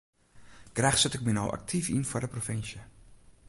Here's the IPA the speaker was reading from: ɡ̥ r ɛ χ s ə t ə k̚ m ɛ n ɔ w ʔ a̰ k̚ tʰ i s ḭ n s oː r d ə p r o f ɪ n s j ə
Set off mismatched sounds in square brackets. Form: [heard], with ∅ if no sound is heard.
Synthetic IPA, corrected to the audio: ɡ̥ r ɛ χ s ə t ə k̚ m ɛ n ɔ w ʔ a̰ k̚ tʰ i [f] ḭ n [f] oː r d ə p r o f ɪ n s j ə